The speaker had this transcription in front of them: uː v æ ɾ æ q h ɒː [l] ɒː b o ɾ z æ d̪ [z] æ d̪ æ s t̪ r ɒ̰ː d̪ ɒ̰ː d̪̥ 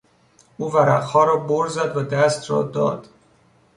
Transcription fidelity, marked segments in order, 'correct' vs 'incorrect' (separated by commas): incorrect, incorrect